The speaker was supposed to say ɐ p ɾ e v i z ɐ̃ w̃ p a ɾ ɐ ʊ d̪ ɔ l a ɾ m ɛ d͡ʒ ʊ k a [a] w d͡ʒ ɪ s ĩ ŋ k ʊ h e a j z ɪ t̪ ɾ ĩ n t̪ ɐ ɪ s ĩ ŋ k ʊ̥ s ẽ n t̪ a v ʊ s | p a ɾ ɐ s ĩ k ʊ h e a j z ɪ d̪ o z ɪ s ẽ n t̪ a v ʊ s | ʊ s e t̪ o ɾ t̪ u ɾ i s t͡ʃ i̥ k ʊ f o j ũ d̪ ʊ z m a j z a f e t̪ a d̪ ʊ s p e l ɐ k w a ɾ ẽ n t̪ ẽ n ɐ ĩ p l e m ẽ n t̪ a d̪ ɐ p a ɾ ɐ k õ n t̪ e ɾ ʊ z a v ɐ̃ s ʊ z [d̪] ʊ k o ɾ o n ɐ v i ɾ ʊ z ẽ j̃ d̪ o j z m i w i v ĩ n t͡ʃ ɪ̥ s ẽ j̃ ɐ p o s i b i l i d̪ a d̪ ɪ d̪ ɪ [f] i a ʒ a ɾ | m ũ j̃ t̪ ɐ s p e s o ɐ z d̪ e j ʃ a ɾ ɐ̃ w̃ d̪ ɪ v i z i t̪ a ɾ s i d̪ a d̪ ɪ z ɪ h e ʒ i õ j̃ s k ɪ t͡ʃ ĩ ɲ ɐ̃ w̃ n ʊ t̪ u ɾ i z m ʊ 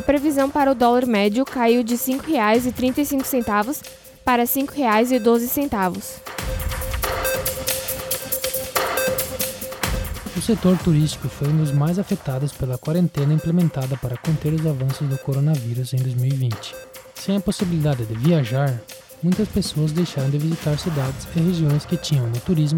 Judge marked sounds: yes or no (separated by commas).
no, yes, no